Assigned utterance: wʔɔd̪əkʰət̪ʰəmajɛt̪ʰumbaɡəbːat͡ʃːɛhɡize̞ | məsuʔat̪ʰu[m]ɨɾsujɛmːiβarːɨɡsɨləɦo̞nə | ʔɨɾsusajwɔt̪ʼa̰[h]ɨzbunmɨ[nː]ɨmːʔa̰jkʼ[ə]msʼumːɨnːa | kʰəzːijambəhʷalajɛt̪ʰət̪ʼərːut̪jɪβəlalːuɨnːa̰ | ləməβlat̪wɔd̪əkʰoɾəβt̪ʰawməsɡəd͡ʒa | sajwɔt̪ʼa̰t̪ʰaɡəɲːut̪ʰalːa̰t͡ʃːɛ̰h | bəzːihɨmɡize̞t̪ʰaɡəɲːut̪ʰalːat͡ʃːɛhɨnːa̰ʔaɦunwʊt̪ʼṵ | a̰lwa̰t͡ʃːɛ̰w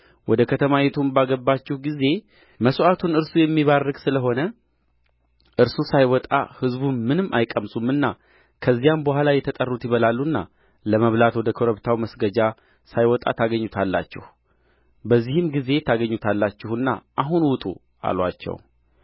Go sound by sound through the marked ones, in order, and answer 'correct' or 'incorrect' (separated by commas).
incorrect, correct, incorrect, correct